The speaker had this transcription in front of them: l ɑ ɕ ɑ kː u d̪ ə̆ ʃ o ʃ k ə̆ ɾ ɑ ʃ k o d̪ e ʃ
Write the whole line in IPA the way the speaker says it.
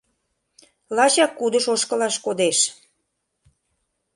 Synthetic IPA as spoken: l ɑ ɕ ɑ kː u d̪ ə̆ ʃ o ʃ k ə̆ l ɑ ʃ k o d̪ e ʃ